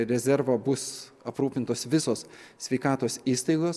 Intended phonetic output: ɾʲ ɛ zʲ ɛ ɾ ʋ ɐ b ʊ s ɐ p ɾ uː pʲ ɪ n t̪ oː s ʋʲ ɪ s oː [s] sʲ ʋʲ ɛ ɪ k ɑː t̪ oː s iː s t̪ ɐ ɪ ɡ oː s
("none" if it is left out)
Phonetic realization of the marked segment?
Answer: s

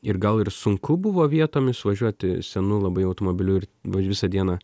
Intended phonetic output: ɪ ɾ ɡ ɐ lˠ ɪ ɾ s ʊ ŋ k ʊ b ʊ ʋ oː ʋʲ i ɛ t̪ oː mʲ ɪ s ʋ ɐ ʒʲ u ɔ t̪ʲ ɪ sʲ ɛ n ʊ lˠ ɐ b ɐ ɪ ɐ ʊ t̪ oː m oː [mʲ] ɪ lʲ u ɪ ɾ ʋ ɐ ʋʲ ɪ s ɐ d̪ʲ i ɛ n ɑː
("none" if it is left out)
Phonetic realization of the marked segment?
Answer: bʲ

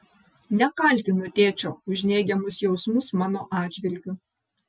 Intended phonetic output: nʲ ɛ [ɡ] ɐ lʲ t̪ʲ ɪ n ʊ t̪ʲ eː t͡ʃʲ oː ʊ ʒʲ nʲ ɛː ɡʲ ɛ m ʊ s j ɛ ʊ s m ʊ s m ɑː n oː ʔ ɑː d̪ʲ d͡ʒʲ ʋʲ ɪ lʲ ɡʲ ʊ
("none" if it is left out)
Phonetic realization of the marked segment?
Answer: k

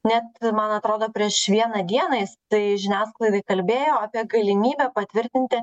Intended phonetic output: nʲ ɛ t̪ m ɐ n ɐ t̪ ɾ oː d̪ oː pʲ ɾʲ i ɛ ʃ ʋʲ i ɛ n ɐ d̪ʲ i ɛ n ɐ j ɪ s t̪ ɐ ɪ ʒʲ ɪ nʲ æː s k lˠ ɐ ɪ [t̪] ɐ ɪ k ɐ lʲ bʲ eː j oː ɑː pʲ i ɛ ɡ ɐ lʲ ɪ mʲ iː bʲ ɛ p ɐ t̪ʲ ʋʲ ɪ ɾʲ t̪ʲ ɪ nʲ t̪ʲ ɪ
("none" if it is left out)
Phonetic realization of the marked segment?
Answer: d̪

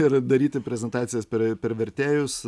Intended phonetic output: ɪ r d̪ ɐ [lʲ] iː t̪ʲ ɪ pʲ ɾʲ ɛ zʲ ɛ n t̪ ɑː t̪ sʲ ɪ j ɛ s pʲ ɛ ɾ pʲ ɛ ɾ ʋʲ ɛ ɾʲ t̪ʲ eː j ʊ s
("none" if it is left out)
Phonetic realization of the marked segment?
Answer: ɾʲ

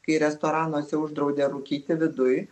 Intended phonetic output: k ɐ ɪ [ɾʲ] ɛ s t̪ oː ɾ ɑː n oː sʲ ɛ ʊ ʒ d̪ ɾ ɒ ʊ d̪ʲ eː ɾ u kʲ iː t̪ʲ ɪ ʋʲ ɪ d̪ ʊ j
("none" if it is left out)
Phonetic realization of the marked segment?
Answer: ɾʲ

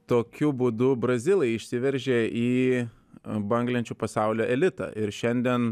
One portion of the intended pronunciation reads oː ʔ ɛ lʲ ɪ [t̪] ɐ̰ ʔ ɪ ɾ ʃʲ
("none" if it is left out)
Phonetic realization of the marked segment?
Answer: t̪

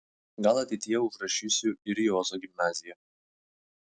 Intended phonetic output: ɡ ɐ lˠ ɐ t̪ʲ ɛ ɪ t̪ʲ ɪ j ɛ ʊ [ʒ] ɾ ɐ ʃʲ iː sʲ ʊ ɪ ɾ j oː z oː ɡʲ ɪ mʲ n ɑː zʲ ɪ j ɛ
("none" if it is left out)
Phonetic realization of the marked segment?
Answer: ʒ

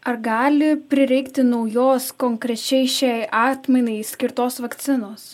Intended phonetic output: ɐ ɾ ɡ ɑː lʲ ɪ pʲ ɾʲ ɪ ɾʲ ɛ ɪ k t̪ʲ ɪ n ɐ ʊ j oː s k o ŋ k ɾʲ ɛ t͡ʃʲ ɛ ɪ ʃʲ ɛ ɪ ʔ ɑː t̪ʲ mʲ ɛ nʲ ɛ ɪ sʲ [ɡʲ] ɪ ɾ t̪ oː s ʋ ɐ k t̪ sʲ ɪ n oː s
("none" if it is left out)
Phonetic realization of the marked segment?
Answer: kʲ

